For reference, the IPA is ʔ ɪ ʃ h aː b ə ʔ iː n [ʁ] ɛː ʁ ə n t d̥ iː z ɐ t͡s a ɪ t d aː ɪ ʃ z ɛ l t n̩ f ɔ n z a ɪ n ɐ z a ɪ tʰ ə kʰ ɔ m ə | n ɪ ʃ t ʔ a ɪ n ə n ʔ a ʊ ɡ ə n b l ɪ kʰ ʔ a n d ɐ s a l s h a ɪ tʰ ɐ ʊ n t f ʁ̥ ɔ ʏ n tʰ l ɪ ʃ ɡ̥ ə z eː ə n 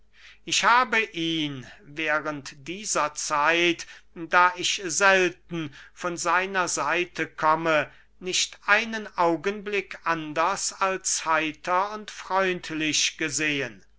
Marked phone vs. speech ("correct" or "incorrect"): incorrect